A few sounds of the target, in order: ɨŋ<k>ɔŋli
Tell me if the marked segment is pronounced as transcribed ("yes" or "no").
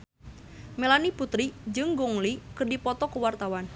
no